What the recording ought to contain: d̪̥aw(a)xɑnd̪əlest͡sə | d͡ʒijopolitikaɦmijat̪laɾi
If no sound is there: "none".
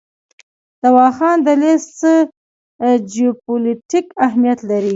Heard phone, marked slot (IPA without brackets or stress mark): ɑ